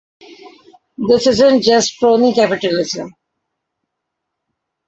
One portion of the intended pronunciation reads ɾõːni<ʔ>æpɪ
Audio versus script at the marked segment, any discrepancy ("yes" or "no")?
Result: yes